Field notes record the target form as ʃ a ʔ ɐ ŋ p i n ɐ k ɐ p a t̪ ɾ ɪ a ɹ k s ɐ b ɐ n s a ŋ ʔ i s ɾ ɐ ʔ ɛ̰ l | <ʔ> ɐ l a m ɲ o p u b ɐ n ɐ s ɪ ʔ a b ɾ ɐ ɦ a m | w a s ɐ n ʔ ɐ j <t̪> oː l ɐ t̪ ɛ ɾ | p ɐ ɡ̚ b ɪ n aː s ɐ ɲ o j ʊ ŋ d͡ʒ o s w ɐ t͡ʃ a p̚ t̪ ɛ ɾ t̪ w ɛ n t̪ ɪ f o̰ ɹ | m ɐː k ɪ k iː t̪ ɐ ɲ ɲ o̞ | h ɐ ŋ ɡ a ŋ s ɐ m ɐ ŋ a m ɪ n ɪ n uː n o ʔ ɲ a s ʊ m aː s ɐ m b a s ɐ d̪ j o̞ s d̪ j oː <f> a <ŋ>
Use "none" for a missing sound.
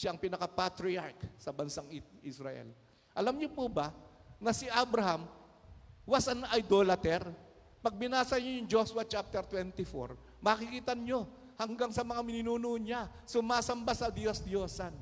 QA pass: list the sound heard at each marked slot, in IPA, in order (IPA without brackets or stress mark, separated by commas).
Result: ʔ, d̪, s, n